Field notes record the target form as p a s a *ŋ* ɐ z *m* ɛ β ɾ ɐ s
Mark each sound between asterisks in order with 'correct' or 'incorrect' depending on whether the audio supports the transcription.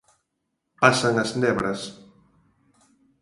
correct, incorrect: n

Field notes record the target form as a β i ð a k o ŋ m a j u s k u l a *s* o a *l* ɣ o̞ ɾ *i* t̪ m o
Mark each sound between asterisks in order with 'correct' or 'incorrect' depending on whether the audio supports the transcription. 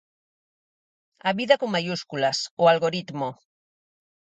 correct, correct, correct

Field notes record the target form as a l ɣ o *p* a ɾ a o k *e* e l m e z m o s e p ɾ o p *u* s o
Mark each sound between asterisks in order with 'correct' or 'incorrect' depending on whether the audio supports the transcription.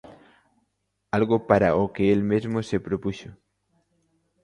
correct, correct, correct

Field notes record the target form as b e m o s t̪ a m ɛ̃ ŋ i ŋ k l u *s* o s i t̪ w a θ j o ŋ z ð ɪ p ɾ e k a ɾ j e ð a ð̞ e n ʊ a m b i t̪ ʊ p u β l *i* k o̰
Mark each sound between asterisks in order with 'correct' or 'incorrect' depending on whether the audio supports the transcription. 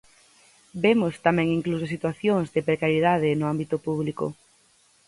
correct, correct

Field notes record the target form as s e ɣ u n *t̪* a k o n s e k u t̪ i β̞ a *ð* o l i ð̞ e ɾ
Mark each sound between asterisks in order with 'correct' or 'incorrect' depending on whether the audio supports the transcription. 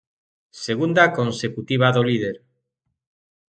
incorrect: d̪, correct

